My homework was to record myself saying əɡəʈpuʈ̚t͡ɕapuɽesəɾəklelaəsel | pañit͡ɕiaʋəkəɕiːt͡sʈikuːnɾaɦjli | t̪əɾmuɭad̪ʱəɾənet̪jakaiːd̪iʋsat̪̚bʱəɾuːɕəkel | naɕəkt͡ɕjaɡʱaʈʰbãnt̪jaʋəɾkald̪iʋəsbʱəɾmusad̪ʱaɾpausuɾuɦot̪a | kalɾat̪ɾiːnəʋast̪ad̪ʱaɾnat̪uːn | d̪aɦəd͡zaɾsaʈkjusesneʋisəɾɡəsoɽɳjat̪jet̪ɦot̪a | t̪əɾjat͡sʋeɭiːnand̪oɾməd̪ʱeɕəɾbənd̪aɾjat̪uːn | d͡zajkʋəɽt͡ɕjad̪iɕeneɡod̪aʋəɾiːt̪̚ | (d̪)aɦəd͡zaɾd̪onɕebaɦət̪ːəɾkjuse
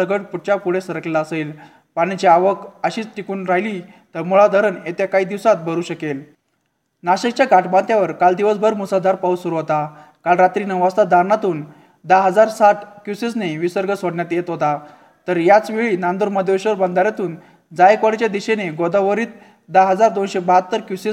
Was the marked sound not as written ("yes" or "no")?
no